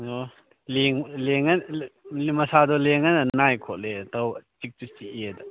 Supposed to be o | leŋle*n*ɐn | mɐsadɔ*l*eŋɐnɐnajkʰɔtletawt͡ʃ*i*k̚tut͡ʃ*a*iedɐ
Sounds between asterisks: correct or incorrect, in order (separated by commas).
incorrect, correct, correct, incorrect